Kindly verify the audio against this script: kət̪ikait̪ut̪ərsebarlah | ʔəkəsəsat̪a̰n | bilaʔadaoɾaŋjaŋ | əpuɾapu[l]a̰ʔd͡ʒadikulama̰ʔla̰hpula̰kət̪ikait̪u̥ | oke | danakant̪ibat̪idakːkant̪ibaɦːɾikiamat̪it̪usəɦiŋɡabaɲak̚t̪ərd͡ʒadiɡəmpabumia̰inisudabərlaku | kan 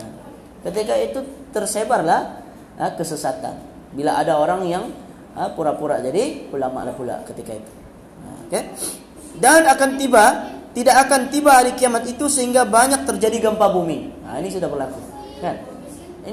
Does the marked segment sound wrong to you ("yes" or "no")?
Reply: yes